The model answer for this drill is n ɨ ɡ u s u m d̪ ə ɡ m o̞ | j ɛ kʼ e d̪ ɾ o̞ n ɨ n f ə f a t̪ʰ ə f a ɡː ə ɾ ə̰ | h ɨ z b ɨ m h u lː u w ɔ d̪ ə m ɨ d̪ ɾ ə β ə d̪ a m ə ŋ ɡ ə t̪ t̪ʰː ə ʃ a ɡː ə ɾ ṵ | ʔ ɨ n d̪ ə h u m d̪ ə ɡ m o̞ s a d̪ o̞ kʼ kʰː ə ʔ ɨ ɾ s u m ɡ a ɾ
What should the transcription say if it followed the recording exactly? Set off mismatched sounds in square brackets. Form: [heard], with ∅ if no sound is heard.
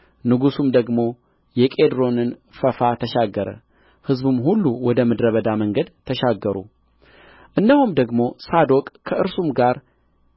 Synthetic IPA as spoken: n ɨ ɡ u s u m d̪ ə ɡ m o̞ | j ɛ kʼ e d̪ ɾ o̞ n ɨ n f ə f a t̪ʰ ə [ʃ] a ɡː ə ɾ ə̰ | h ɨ z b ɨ m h u lː u w ɔ d̪ ə m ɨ d̪ ɾ ə β ə d̪ a m ə ŋ ɡ ə [d̪] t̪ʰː ə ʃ a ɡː ə ɾ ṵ | ʔ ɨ n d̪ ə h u m d̪ ə ɡ m o̞ s a d̪ o̞ kʼ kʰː ə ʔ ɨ ɾ s u m ɡ a ɾ